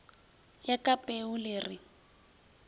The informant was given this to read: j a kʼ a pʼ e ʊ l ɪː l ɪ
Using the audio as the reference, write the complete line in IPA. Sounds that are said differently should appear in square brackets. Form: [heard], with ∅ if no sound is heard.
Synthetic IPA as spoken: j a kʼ a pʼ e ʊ l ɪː [r] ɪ